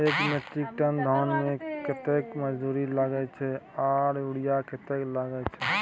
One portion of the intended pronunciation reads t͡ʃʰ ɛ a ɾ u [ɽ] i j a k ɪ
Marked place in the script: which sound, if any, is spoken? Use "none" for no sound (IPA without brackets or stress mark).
ɽ